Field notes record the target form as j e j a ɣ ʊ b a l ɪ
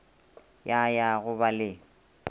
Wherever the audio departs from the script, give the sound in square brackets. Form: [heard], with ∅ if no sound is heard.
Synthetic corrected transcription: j [a] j a ɣ ʊ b a l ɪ